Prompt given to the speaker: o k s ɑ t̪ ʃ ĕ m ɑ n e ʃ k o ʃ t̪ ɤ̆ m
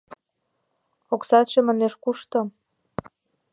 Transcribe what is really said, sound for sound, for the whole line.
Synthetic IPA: o k s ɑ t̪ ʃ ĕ m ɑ n e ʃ k u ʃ t̪ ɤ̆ m